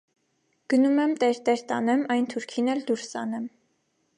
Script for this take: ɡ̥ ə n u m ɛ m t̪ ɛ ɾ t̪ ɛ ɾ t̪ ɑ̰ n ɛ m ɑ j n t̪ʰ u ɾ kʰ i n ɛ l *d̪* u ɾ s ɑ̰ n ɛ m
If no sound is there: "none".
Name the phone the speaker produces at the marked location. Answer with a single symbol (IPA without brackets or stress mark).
d̪